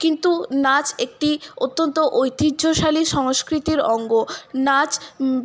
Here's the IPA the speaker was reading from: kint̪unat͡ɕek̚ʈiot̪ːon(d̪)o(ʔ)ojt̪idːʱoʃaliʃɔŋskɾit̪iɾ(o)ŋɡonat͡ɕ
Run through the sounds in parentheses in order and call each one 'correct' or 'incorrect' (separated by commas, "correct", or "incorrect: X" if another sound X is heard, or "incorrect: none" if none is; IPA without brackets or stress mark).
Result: incorrect: t̪, correct, incorrect: ɔ